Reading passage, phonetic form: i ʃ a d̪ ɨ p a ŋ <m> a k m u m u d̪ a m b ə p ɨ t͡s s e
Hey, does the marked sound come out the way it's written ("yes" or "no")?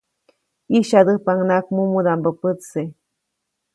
no